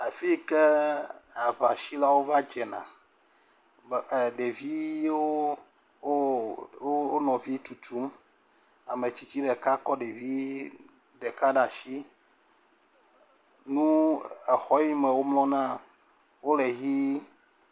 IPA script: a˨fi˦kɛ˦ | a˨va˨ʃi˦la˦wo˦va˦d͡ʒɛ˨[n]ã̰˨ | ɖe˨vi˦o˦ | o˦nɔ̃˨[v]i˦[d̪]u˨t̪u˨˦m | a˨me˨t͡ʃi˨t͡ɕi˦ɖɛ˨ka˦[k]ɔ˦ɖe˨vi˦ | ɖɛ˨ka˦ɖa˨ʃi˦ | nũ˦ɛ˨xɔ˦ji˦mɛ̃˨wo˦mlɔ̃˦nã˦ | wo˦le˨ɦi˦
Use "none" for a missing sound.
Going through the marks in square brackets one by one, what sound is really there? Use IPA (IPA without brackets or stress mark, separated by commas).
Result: n, v, t̪, k